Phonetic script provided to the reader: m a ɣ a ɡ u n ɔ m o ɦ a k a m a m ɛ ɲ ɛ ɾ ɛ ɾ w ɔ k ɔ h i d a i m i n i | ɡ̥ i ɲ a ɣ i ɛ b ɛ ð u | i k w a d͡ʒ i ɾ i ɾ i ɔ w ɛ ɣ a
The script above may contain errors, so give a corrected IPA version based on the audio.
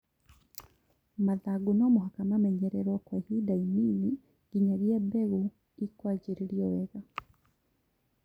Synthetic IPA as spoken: m a ð a ɡ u n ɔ m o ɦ a k a m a m ɛ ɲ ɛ ɾ ɛ ɾ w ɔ k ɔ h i d a i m i n i | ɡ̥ i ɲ a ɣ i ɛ b ɛ ɣ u | i k w a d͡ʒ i ɾ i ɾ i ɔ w ɛ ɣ a